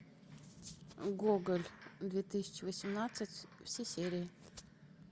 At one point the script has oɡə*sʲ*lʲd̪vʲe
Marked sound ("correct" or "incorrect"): incorrect